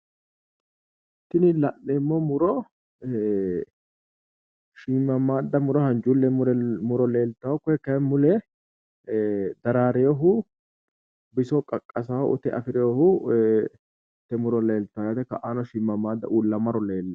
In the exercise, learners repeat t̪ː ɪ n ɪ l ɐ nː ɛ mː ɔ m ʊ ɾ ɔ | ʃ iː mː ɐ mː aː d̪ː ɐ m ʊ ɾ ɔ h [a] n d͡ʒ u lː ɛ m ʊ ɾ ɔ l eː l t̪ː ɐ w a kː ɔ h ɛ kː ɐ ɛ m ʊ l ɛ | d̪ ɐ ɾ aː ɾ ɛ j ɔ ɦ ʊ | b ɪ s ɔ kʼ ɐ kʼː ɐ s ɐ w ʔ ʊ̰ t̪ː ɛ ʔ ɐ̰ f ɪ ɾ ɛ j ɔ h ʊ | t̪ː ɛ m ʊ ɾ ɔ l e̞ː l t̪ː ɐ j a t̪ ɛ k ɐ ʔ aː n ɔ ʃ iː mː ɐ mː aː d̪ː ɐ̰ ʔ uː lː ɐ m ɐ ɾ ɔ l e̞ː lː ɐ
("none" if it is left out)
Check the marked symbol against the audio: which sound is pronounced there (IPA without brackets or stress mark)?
ɐ